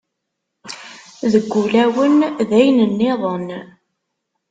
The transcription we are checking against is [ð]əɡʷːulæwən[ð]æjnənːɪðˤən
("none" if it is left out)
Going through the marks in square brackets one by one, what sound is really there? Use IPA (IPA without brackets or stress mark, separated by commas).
ð, ð